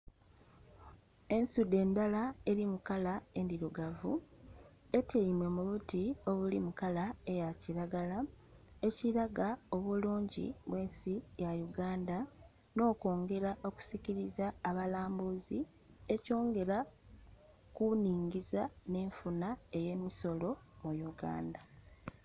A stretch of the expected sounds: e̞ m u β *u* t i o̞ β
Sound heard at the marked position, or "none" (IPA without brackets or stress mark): u